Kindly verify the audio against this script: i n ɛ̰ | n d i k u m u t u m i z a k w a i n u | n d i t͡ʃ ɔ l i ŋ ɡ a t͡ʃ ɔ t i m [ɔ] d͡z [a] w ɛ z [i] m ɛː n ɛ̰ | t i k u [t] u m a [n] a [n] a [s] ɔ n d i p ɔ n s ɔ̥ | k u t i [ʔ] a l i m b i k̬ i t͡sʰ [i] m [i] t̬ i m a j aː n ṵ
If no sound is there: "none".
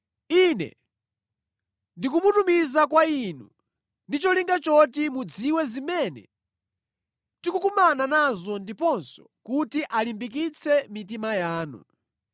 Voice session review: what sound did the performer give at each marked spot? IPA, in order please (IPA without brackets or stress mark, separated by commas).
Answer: u, i, i, k, n, n, z, ʔ, ɛ, i